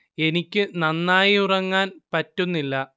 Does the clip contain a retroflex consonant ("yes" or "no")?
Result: no